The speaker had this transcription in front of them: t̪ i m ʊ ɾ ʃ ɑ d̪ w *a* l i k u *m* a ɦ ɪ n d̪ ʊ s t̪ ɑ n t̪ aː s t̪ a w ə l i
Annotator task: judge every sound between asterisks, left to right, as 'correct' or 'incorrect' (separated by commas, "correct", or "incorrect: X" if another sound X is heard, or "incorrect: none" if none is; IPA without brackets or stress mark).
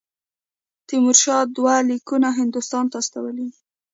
correct, incorrect: n